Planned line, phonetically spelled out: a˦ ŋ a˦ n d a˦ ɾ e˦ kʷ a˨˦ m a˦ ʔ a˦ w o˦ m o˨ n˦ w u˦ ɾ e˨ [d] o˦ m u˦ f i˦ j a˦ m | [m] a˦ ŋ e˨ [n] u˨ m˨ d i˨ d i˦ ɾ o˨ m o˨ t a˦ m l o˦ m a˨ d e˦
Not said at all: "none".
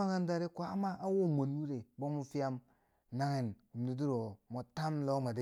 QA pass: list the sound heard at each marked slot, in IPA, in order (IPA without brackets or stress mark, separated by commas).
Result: b, n, n